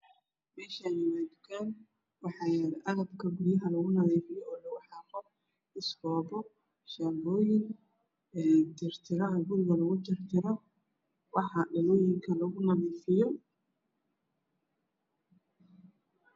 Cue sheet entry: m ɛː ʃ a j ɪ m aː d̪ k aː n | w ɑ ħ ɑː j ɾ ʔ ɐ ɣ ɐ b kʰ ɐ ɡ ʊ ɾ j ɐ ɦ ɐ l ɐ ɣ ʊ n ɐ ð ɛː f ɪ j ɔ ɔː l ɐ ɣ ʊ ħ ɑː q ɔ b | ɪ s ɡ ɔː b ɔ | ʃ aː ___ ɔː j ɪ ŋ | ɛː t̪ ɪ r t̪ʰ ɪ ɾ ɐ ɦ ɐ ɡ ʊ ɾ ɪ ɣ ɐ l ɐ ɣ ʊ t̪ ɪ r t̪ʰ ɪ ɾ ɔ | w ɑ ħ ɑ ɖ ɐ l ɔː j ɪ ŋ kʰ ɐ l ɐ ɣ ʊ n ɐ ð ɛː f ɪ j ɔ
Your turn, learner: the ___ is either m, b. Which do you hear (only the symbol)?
b